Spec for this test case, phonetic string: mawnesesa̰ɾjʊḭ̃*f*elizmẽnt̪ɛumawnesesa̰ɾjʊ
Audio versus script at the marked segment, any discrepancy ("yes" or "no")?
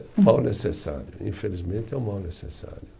no